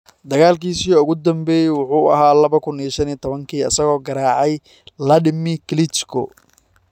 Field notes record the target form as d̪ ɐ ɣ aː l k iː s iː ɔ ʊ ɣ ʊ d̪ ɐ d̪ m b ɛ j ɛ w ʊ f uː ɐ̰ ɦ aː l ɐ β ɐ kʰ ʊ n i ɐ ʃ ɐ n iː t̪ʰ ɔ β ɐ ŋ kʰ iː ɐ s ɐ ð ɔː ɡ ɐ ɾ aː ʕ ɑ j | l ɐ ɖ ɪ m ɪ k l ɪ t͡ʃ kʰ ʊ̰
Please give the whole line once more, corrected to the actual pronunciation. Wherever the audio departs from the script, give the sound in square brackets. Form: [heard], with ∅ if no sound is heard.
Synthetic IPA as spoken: d̪ ɐ ɣ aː l k iː s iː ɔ ʊ ɣ ʊ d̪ ɐ [∅] m b ɛ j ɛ w ʊ [ħ] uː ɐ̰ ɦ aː l ɐ β ɐ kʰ ʊ n i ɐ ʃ ɐ n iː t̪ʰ ɔ β ɐ ŋ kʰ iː ɐ s ɐ [ɣ] ɔː ɡ ɐ ɾ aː ʕ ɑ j | l ɐ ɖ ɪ m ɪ k l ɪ t͡ʃ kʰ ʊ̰